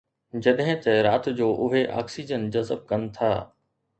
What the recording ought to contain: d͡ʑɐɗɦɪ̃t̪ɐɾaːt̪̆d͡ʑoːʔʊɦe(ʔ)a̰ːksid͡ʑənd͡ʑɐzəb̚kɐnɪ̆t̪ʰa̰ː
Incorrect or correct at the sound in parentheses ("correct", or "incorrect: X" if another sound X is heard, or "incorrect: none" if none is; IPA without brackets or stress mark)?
correct